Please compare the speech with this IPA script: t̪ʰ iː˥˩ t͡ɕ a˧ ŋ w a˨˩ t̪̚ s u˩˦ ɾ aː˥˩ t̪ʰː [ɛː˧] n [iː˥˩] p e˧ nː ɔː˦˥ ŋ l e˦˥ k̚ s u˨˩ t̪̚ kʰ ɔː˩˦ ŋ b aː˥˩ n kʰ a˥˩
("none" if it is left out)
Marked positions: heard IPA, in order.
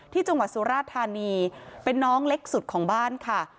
aː˧, iː˧

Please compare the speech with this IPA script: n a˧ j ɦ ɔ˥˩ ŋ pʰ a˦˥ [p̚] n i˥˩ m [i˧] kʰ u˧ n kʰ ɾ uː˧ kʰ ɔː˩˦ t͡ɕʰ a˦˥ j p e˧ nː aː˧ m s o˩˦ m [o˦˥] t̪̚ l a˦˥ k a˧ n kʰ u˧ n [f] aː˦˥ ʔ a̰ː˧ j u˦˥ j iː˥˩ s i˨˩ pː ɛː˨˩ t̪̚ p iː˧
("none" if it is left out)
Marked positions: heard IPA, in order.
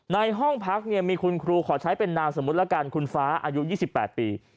k̚, iː˧, u˦˥, f

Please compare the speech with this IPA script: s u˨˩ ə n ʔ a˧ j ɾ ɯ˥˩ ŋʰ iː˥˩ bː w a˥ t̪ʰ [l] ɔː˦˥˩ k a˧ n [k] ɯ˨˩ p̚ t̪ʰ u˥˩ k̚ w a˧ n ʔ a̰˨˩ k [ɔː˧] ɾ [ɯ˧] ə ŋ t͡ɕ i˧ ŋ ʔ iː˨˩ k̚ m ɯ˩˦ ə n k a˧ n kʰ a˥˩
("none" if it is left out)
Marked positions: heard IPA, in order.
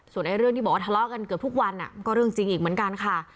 l, k, ɔː˥˩, ɯ˥˩

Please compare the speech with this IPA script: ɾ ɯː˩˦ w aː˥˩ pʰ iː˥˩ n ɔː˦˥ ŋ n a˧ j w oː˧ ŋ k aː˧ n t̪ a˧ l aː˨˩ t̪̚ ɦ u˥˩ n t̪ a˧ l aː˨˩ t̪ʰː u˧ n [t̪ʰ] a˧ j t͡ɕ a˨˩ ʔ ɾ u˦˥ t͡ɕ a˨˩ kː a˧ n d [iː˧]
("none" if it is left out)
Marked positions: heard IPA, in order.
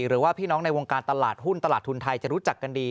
t̪ʰ, iː˧

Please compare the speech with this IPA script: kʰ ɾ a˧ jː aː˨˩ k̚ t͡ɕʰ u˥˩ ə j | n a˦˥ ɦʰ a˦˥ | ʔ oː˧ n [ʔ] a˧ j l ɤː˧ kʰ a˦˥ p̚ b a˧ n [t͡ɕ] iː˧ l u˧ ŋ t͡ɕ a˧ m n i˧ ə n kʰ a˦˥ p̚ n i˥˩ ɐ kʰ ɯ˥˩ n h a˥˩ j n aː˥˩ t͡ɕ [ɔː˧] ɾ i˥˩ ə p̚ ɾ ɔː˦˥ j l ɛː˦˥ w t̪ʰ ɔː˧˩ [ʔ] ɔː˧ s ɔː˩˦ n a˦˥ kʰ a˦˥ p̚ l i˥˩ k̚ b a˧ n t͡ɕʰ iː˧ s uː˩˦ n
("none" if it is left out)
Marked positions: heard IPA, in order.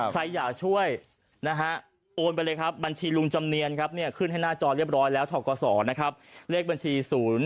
p, t͡ɕʰ, ɔː˧, k

